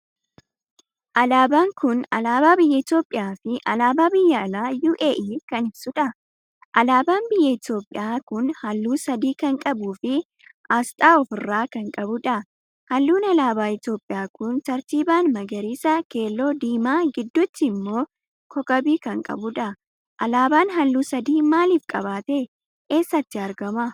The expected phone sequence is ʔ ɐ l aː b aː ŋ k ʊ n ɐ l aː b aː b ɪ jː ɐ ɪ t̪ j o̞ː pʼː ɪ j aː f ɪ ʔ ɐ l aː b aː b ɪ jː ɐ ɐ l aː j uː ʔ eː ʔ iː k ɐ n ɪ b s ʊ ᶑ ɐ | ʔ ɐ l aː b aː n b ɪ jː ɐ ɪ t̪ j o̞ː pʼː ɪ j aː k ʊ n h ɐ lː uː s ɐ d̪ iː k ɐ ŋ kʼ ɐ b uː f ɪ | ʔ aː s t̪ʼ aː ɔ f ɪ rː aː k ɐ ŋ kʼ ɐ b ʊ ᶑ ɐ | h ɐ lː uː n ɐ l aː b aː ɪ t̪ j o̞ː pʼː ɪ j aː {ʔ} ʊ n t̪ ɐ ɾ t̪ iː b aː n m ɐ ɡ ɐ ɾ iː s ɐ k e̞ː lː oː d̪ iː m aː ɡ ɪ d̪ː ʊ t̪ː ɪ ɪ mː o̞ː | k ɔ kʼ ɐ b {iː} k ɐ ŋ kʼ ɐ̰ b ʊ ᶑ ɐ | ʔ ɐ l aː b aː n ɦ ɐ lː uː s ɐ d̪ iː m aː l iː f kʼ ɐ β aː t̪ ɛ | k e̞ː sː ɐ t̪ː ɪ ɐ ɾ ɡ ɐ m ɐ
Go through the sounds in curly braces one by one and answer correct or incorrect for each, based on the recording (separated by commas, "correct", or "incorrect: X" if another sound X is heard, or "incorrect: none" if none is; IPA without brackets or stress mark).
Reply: incorrect: k, correct